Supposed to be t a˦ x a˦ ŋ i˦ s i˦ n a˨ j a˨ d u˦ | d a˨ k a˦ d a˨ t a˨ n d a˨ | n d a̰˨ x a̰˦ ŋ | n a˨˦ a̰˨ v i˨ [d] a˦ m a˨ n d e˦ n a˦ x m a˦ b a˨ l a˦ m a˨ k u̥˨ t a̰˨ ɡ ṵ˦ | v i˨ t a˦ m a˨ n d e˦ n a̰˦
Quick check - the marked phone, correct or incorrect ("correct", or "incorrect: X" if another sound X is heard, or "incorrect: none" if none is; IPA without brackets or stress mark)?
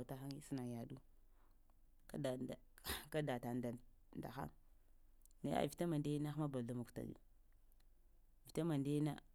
incorrect: t